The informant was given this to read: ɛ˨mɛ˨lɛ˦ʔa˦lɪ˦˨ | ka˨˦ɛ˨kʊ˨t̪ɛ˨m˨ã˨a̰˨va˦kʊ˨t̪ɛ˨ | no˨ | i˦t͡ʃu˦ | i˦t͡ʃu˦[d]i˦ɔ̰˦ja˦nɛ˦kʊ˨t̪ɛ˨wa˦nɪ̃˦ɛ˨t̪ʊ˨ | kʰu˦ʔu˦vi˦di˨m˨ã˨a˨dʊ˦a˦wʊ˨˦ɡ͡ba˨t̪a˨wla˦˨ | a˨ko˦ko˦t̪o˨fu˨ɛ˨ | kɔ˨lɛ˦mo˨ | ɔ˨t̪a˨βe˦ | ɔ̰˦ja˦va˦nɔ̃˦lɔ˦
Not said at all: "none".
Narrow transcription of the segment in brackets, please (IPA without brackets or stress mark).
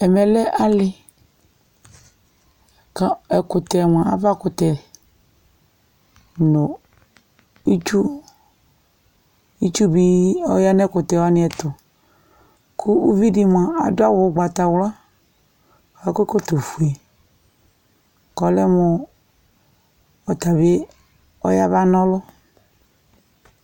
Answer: b